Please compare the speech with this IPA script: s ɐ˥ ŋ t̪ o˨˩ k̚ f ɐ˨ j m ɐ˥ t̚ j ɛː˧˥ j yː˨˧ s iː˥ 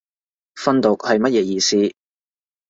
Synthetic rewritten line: f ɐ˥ n t̪ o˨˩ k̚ h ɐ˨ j m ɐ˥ t̚ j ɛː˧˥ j iː˨˧ s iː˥